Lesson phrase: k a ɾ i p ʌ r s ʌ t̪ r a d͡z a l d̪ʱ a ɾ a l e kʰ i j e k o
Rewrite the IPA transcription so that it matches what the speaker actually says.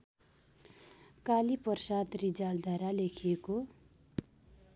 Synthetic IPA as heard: k a l i p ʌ r s a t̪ r i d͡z a l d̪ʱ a ɾ a l e kʰ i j e k o